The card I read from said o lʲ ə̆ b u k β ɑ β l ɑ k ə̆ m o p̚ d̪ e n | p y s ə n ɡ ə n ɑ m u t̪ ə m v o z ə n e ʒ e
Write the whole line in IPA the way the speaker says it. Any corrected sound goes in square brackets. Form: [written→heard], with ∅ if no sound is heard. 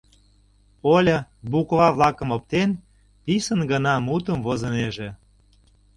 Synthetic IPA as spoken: o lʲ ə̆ b u k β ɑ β l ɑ k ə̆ m o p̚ [d̪→t̪] e n | p [y→i] s ə n ɡ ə n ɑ m u t̪ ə m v o z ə n e ʒ e